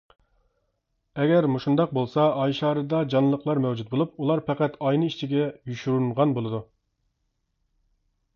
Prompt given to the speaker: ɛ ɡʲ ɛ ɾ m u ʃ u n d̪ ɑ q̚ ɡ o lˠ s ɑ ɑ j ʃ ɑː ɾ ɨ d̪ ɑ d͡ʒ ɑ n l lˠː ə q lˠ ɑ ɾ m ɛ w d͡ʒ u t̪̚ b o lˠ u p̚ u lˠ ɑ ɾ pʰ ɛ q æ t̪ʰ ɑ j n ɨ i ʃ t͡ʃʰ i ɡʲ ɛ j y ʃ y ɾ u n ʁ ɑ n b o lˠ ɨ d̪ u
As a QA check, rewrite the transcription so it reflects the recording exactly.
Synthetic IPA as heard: ɛ ɡʲ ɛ ɾ m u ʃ u n d̪ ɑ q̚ b o lˠ s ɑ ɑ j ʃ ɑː ɾ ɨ d̪ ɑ d͡ʒ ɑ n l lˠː ə q lˠ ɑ ɾ m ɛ w d͡ʒ u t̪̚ b o lˠ u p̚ u lˠ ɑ ɾ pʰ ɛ q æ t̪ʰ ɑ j n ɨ i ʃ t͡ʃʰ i ɡʲ ɛ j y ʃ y ɾ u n ʁ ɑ n b o lˠ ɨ d̪ u

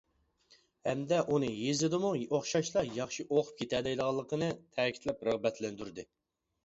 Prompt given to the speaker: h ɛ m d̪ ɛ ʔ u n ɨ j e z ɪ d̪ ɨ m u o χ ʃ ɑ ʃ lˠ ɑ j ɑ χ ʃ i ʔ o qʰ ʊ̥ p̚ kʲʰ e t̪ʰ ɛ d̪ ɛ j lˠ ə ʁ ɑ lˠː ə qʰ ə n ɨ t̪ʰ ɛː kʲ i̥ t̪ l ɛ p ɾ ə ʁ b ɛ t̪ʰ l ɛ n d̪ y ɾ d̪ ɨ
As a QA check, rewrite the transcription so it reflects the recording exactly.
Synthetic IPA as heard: h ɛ m d̪ ɛ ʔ u n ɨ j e z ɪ d̪ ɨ m u o χ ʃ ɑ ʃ lˠ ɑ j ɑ χ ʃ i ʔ o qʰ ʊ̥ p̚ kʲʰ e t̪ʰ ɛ d̪ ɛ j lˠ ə ʁ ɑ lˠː ə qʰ ə n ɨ t̪ʰ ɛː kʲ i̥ t̪ l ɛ p ɾ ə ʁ b ɛ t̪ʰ l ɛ n d̪ y ɾ d̪ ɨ

